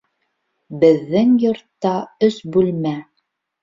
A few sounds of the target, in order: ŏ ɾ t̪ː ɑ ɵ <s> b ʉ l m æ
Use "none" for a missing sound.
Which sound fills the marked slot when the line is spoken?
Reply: s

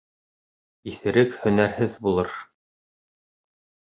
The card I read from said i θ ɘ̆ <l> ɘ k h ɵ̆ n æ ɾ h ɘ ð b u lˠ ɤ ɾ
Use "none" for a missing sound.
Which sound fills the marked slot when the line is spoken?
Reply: ɾ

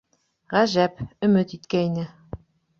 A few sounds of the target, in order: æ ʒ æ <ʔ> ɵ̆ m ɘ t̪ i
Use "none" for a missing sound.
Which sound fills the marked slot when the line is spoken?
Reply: p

